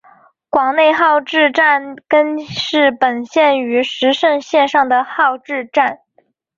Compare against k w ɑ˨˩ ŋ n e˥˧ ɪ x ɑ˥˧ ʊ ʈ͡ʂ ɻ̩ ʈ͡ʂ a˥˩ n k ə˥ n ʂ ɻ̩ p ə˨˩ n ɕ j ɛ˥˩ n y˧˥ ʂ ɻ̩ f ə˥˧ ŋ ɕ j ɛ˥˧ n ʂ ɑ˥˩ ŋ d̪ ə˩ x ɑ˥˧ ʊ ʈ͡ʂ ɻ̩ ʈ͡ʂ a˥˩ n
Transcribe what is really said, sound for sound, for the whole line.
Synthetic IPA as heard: k w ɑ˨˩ ŋ n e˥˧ ɪ x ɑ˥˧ ʊ ʈ͡ʂ ɻ̩ ʈ͡ʂ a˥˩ n k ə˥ n ʂ ɻ̩ p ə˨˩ n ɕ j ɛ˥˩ n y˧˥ ʂ ɻ̩ ʂ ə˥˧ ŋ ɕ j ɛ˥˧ n ʂ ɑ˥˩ ŋ d̪ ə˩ x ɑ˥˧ ʊ ʈ͡ʂ ɻ̩ ʈ͡ʂ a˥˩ n

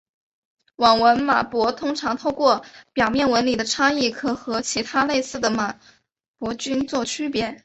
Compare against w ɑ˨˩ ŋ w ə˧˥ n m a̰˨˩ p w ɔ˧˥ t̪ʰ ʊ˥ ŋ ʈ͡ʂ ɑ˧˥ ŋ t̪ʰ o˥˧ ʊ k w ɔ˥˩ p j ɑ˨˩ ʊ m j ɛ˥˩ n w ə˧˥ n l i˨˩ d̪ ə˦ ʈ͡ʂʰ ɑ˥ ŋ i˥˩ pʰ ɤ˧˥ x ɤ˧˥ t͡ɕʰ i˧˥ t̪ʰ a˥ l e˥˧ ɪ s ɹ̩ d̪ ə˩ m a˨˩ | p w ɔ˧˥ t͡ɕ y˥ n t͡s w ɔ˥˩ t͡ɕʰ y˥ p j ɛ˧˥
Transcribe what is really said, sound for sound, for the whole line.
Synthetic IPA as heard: w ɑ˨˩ ŋ w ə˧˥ n m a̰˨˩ p w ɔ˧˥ t̪ʰ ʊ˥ ŋ ʈ͡ʂʰ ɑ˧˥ ŋ t̪ʰ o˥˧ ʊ k w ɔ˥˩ p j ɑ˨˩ ʊ m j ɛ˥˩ n w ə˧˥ n l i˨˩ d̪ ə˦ ʈ͡ʂʰ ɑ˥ ŋ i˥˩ kʰ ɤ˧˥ x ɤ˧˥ t͡ɕʰ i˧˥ t̪ʰ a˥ l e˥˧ ɪ s ɹ̩ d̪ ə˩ m a˨˩ | p w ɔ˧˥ t͡ɕ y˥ n t͡s w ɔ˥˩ t͡ɕʰ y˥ p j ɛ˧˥

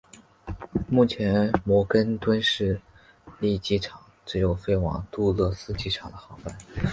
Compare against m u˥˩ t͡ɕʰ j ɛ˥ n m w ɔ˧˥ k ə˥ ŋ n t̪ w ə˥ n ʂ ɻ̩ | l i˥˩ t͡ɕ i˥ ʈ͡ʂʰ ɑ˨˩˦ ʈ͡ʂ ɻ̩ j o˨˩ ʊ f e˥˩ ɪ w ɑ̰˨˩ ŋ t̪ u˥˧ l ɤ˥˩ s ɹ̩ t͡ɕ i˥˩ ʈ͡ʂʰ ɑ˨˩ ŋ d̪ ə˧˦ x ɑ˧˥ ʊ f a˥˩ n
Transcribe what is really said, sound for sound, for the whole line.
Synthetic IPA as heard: m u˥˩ t͡ɕʰ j ɛ˧˥ n m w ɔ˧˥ k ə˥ n t̪ w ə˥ n ʂ ɻ̩ | l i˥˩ t͡ɕ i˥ ʈ͡ʂʰ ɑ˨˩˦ ʈ͡ʂ ɻ̩ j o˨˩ ʊ f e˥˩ ɪ w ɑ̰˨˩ ŋ t̪ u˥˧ l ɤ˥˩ s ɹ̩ t͡ɕ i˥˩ ʈ͡ʂʰ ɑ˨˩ ŋ d̪ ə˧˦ x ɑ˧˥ ʊ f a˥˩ n

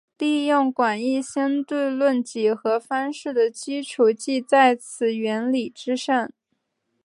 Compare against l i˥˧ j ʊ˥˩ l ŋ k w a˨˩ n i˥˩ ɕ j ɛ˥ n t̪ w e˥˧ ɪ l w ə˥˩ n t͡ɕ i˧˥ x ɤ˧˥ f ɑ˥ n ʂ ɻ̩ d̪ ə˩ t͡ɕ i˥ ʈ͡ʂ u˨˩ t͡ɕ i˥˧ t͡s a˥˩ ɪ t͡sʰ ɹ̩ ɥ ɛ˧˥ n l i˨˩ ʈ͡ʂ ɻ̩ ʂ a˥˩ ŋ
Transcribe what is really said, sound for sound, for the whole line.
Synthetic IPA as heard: l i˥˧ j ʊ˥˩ ŋ k w a˨˩ n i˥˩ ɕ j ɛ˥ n t̪ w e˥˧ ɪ l w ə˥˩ n t͡ɕ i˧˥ x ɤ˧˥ f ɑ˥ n ʂ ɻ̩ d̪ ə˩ t͡ɕ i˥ ʈ͡ʂʰ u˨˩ t͡ɕ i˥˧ t͡s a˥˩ ɪ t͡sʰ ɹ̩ ɥ ɛ˧˥ n l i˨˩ ʈ͡ʂ ɻ̩ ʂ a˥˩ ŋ

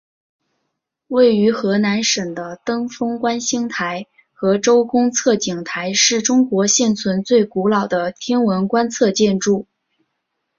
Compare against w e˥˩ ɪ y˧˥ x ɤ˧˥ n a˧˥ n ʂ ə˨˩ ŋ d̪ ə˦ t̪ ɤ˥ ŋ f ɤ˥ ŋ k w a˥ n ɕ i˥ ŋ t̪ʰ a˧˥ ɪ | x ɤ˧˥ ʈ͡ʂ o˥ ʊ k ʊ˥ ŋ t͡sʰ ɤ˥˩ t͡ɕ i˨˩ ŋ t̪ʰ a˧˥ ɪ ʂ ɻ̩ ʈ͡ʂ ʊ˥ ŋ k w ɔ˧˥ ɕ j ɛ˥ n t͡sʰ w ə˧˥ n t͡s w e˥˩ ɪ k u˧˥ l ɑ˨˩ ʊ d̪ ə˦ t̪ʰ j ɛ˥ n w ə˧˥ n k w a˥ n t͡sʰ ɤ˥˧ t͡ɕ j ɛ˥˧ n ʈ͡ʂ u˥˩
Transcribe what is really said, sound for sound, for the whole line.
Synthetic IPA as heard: w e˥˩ ɪ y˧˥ x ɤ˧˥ n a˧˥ n ʂ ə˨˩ ŋ d̪ ə˦ t̪ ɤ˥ ŋ f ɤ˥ ŋ k w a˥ n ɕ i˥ ŋ t̪ʰ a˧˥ ɪ | x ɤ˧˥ ʈ͡ʂ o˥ ʊ k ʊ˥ ŋ t͡sʰ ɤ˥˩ t͡ɕ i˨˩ ŋ t̪ʰ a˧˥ ɪ ʂ ɻ̩ ʈ͡ʂ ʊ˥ ŋ k w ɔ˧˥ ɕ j ɛ˥˩ n t͡sʰ w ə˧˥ n t͡s w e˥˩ ɪ k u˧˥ l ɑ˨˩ ʊ d̪ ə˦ t̪ʰ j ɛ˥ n w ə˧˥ n k w a˥ n t͡sʰ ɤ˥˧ t͡ɕ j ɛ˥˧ n ʈ͡ʂ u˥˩

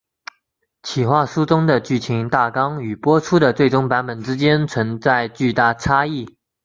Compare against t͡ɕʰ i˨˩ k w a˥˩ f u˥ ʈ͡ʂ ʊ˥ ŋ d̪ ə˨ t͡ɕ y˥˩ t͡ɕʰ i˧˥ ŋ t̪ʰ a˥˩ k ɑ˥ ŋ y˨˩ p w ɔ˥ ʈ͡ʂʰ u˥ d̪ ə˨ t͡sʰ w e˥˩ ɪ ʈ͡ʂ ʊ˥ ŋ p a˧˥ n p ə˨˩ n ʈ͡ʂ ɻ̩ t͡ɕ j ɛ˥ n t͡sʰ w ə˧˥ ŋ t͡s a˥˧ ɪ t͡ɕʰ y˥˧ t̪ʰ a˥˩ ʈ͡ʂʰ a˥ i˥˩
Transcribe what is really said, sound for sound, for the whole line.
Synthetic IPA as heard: t͡ɕʰ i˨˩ x w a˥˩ ʂ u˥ ʈ͡ʂ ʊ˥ ŋ d̪ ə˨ t͡ɕ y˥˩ t͡ɕʰ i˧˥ ŋ t̪ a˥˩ k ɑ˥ ŋ y˨˩ p w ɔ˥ ʈ͡ʂʰ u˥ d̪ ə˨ t͡s w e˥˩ ɪ ʈ͡ʂ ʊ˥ ŋ p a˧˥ n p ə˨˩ n ʈ͡ʂ ɻ̩ t͡ɕ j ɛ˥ n t͡sʰ w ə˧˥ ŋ t͡s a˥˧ ɪ t͡ɕ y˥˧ t̪ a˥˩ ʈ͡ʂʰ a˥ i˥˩

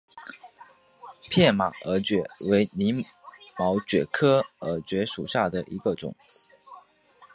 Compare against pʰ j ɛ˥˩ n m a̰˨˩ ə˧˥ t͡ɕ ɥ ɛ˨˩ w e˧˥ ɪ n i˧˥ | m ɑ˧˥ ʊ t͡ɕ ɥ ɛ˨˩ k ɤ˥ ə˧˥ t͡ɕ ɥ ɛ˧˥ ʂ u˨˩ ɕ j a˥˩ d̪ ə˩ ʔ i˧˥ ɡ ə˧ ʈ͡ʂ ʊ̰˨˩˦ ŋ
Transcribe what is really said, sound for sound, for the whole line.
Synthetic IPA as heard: pʰ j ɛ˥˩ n m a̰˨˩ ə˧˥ t͡ɕ ɥ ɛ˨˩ w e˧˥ ɪ n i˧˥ | m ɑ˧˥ ʊ t͡ɕ ɥ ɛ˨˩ kʰ ɤ˥ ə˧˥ t͡ɕ ɥ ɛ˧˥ ʂ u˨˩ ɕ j a˥˩ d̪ ə˩ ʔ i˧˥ ɡ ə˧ ʈ͡ʂ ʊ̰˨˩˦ ŋ

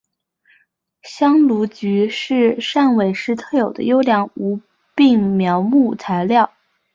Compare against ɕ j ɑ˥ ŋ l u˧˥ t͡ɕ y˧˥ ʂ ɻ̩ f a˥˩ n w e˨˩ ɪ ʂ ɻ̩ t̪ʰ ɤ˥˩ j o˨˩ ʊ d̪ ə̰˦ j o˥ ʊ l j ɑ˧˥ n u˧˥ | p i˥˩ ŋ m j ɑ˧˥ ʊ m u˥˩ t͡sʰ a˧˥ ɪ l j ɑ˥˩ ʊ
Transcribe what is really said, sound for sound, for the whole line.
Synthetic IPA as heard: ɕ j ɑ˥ ŋ l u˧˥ t͡ɕ y˧˥ ʂ ɻ̩ ʂ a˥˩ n w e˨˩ ɪ ʂ ɻ̩ t̪ʰ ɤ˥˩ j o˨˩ ʊ d̪ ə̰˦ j o˥ ʊ l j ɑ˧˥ ŋ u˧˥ | p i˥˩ ŋ m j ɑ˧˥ ʊ m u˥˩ t͡sʰ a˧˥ ɪ l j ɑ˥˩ ʊ

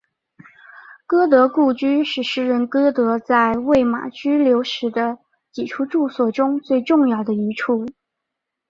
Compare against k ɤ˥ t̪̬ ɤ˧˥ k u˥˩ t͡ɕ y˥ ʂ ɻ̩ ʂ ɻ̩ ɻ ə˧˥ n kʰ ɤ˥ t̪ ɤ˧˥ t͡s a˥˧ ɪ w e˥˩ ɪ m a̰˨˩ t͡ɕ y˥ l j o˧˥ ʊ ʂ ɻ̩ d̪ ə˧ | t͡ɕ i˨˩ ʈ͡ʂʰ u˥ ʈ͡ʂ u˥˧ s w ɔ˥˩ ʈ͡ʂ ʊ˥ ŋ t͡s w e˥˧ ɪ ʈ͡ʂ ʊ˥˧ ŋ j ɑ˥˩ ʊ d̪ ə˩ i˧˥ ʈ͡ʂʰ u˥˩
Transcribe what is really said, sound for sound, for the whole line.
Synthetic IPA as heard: k ɤ˥ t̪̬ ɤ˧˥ k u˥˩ t͡ɕ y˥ ʂ ɻ̩ ʂ ɻ̩ ɻ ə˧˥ n k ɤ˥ t̪ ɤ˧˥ t͡s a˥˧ ɪ w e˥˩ ɪ m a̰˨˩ t͡ɕ y˥ l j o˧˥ ʊ ʂ ɻ̩ d̪ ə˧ | t͡ɕ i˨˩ ʈ͡ʂʰ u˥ ʈ͡ʂ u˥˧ s w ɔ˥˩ ʈ͡ʂ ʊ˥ ŋ t͡s w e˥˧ ɪ ʈ͡ʂ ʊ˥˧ ŋ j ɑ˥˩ ʊ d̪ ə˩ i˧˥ ʈ͡ʂʰ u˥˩

